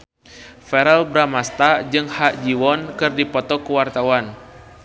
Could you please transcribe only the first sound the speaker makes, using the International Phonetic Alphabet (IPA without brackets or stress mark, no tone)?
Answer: f